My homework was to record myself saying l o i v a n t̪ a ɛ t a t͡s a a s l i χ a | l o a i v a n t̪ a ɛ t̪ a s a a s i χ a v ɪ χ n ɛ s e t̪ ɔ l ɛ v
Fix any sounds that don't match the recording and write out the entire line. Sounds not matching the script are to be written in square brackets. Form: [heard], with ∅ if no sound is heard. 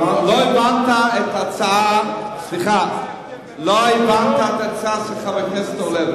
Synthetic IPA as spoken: l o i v a n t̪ a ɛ t a t͡s a a s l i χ a | l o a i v a n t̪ a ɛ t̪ a [t͡s] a a s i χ a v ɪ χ n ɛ s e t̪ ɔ l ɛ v

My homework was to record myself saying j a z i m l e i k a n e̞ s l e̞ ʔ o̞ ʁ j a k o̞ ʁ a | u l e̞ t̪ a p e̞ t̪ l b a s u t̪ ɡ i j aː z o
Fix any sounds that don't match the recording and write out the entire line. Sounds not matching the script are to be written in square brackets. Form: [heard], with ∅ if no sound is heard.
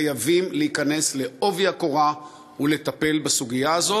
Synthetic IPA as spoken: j a [v] i m l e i k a n e̞ s l e̞ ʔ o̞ [v] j a k o̞ ʁ a | u l e̞ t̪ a p e̞ [∅] l b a s u [∅] ɡ i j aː z o

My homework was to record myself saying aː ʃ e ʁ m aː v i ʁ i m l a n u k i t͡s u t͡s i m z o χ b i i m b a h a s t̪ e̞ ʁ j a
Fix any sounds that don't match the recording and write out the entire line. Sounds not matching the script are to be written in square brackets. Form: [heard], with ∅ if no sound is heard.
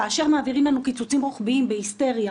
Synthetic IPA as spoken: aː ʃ e ʁ m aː v i ʁ i m l a n u k i t͡s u t͡s i m [ʁ] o χ b i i m b [e] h [i] s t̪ e̞ ʁ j a

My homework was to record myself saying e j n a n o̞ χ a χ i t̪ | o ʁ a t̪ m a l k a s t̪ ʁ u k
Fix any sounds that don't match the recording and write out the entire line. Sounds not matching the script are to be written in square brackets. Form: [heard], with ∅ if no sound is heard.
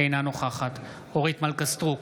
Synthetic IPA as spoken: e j n a n o̞ χ a χ [a] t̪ | o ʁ [i] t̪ m a l k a s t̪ ʁ u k

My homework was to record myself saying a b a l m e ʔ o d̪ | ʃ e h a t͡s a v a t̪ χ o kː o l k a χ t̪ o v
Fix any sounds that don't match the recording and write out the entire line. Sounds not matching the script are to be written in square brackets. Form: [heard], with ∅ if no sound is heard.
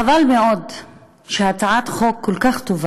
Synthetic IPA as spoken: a [v] a l m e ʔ o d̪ | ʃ e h a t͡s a [ʕ] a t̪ χ o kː o l k a χ t̪ o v

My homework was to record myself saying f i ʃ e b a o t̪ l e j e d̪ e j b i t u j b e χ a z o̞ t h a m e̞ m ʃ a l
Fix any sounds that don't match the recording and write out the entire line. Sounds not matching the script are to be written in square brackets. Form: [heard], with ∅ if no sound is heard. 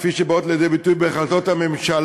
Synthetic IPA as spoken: f i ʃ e b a o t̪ l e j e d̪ e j b i t u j b e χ a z o̞ t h a m e̞ m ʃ a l

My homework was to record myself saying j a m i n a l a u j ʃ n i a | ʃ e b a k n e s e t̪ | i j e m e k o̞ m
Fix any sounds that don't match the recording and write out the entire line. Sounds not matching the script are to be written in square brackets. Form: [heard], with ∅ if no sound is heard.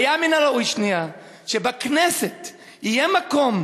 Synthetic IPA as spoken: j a m i n a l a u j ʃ n i a | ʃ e b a k n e s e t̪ | i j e m [a] k o̞ m

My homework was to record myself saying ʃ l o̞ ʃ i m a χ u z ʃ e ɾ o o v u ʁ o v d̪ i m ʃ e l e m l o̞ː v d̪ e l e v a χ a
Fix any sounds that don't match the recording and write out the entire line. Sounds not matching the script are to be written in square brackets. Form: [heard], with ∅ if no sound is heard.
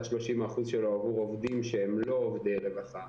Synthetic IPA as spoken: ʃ l o̞ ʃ i m a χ u z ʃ e [l] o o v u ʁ o v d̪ i m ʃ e [∅] e m l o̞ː v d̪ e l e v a χ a

